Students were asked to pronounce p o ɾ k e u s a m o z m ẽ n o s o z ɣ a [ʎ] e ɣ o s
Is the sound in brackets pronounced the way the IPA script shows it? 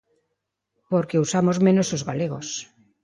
no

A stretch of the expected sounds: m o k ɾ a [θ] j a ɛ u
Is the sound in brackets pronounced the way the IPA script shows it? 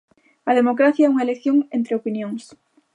yes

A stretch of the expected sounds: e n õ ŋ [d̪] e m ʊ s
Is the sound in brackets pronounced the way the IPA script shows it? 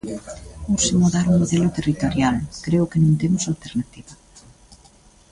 no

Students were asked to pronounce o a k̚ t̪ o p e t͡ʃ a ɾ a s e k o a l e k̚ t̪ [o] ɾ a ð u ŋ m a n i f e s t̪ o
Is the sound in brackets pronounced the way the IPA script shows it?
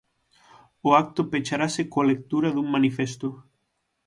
no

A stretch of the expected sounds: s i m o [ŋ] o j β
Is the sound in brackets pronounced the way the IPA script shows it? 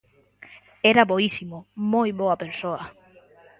no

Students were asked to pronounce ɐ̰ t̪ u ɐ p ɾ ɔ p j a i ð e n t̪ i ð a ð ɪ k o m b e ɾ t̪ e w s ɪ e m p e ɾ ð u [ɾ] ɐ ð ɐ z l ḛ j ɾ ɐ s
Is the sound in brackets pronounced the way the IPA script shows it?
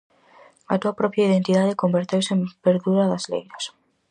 yes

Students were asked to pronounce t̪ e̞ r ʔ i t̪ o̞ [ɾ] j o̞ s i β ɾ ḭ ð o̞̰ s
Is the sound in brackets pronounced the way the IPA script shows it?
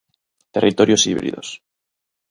yes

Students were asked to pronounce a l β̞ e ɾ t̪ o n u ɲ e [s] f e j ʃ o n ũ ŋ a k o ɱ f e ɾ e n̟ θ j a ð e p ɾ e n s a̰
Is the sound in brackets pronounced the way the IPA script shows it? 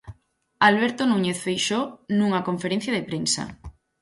no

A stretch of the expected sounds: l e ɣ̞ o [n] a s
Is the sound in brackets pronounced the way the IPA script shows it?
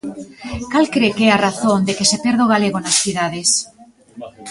yes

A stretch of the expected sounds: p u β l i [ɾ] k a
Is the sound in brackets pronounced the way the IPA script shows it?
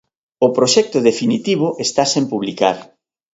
no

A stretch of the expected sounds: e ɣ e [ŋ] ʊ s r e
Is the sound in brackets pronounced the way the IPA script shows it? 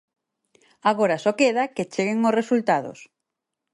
yes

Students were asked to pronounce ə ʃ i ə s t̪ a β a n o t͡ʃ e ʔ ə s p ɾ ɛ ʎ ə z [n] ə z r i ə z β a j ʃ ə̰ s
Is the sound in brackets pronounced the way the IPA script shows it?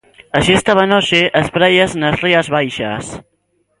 yes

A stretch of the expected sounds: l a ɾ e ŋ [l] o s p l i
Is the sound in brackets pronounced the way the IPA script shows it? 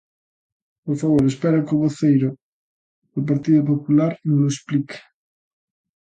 yes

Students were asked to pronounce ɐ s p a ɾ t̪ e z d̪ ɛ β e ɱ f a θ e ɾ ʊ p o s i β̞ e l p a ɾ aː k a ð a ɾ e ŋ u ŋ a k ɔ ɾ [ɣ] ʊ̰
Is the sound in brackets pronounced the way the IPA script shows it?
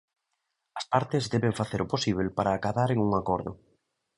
no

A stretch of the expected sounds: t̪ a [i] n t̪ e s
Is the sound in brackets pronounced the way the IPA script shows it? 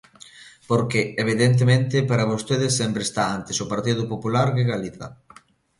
no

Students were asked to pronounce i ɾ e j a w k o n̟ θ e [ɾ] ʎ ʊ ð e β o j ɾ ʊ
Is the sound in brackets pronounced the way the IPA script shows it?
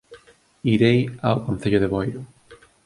no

